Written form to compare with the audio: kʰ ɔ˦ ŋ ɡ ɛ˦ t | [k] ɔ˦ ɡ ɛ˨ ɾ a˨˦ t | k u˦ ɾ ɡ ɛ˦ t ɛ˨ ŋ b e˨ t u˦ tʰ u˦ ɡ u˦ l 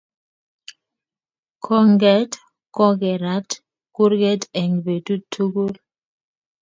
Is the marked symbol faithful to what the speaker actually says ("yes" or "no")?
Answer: yes